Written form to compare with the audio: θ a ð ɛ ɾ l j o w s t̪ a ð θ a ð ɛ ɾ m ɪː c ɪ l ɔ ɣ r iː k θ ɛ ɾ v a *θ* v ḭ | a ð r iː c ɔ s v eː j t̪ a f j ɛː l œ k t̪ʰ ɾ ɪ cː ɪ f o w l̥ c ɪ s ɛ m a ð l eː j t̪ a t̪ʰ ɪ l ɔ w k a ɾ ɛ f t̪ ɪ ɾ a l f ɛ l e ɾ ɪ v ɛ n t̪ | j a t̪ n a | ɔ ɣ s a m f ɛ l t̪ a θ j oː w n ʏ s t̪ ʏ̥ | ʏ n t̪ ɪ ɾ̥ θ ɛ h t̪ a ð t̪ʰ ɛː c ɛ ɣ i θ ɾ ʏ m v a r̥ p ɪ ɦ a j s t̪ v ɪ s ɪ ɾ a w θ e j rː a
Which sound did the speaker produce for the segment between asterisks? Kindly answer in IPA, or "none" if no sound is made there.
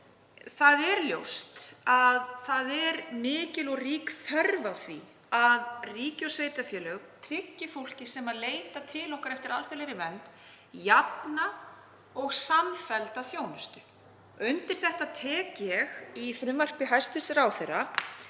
θ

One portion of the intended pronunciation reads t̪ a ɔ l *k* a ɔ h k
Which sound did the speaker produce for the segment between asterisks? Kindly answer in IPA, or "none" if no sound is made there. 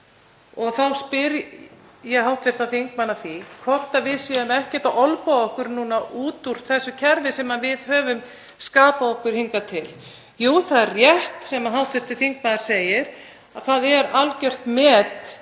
p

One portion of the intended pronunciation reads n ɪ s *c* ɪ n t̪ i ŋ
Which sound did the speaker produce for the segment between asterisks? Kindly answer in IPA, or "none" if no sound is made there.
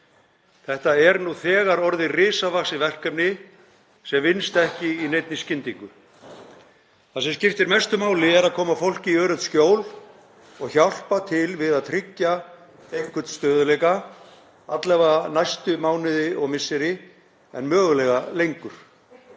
c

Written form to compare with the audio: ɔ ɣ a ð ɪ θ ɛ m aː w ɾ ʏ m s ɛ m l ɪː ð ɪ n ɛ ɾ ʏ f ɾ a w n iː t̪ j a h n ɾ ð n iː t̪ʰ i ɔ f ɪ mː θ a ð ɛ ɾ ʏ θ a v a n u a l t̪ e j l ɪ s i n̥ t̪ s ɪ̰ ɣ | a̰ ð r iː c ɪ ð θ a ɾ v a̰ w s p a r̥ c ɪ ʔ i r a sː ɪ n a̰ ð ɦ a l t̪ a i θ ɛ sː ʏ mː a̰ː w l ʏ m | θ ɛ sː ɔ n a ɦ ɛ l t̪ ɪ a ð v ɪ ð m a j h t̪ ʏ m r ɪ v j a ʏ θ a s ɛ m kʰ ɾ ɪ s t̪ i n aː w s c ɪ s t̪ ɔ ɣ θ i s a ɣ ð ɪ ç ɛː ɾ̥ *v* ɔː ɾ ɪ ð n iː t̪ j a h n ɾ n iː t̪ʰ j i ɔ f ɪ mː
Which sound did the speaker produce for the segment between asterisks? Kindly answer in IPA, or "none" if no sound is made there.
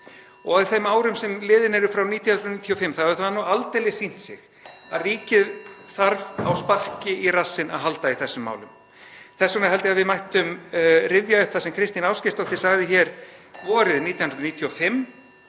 v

